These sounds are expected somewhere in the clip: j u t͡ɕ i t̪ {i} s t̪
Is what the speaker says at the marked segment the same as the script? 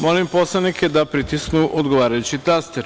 no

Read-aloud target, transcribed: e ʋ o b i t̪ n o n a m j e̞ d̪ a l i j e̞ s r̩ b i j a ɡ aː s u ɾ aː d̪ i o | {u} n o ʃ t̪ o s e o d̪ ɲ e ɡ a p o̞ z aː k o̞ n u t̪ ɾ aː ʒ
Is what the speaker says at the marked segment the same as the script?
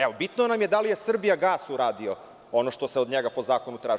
no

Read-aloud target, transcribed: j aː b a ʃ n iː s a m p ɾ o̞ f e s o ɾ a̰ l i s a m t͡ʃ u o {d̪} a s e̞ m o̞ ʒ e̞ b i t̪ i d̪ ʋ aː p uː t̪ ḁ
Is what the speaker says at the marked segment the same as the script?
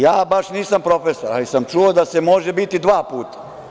yes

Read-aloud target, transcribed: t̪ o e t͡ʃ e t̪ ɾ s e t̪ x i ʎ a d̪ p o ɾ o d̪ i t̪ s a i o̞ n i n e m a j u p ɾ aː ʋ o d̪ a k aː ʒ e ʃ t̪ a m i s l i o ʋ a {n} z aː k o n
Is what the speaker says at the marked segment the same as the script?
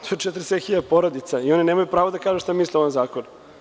yes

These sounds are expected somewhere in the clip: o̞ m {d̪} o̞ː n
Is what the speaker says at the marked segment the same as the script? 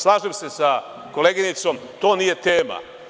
no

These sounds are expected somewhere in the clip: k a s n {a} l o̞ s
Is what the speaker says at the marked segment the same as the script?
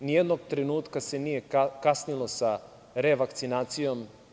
no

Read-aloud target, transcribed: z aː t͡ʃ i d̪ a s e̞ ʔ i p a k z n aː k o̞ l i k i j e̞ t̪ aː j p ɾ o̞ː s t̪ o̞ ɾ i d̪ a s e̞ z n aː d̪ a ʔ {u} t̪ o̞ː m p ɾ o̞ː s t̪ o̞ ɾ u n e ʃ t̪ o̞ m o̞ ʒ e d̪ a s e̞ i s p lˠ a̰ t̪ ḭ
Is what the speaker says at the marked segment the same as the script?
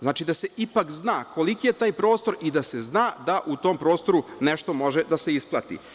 yes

